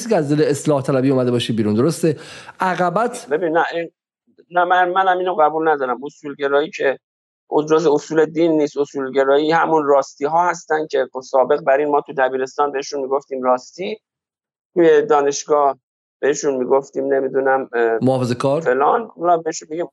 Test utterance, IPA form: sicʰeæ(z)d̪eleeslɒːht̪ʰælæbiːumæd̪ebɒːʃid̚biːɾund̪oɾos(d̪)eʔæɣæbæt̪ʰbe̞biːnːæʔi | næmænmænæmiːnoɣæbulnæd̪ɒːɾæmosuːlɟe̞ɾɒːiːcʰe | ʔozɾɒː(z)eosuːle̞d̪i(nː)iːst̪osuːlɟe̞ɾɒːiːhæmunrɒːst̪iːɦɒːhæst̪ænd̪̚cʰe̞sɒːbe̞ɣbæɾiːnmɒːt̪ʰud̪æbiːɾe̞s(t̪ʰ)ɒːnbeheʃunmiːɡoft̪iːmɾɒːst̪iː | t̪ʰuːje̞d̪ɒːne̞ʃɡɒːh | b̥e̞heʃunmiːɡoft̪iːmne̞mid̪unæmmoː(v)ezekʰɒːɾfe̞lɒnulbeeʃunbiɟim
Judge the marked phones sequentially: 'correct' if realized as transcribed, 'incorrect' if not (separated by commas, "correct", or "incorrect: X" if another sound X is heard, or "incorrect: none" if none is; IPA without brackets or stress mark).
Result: correct, incorrect: t̪, correct, correct, incorrect: t̪, incorrect: f